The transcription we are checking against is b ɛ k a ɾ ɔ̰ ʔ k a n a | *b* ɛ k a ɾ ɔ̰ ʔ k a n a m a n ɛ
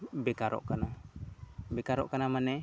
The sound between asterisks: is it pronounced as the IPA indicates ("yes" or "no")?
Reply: yes